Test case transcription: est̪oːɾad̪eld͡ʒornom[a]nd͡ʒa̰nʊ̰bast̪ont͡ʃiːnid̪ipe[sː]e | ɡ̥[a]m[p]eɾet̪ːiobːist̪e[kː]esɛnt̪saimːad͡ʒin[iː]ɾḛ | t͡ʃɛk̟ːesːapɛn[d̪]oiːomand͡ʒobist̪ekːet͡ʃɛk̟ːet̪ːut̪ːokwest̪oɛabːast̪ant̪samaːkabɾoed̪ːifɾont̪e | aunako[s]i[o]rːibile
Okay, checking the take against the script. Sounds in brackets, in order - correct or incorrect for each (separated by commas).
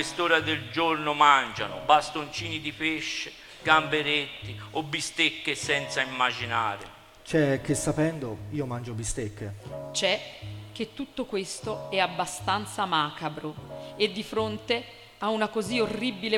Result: correct, incorrect, correct, incorrect, correct, incorrect, correct, incorrect, correct